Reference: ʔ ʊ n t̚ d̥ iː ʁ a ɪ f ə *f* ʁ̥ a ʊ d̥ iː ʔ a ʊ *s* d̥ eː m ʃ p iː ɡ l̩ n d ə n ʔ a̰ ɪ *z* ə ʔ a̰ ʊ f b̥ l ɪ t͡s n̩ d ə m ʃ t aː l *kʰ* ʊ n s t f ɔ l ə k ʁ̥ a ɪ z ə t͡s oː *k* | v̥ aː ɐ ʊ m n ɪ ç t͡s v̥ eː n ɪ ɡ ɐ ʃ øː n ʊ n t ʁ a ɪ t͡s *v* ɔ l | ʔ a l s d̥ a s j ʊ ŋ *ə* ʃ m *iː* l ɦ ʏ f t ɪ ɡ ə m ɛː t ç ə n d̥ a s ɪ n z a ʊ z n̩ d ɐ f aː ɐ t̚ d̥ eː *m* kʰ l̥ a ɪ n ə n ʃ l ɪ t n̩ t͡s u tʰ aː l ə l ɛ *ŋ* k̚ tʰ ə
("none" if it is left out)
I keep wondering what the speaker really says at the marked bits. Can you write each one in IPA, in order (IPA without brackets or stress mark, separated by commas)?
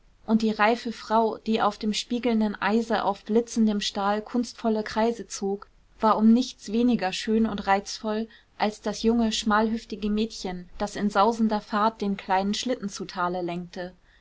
f, f, z, kʰ, k, f, ə, aː, n, ŋ